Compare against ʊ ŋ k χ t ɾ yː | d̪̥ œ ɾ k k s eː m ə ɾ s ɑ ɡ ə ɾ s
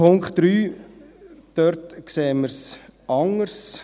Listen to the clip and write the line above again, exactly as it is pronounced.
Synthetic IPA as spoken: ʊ ŋ k χ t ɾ yː | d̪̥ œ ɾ t k s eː m ə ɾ s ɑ ŋ ə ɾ s